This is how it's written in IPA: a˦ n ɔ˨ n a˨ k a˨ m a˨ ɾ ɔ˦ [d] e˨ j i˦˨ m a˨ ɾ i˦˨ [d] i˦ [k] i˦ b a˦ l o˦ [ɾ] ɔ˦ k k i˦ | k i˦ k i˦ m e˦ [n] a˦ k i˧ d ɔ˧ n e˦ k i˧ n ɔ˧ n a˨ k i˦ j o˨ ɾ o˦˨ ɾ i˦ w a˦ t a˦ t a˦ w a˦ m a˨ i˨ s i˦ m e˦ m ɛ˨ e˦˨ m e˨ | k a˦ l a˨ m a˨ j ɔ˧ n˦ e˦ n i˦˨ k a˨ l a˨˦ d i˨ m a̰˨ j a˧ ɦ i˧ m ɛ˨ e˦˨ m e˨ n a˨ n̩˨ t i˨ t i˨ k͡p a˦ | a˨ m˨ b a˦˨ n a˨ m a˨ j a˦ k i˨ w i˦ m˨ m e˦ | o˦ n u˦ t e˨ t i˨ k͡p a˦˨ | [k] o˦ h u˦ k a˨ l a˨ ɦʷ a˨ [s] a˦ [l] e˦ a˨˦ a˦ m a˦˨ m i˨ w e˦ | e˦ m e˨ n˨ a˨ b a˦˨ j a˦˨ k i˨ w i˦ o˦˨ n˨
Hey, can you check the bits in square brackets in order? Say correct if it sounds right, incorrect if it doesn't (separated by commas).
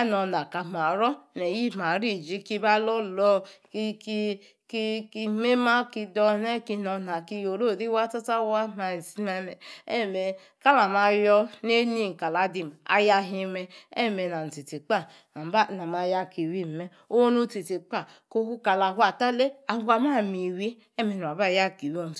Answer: incorrect, incorrect, correct, incorrect, incorrect, correct, incorrect, correct